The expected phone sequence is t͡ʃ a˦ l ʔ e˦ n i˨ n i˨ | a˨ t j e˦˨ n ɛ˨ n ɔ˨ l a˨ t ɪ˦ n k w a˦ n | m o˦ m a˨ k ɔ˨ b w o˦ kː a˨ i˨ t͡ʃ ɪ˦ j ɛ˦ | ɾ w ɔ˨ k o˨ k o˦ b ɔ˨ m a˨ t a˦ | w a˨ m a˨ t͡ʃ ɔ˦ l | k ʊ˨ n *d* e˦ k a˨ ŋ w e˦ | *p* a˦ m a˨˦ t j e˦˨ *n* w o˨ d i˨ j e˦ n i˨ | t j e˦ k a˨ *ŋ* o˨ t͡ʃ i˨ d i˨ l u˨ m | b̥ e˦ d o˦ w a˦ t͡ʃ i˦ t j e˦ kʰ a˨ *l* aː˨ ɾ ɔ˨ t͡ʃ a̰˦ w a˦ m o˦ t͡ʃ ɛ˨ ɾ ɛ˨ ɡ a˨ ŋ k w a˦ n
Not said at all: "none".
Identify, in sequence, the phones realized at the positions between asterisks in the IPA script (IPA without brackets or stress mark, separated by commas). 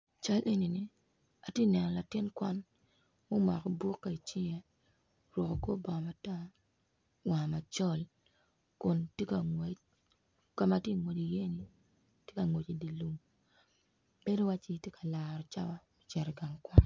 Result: t, k, ŋ, ŋ, l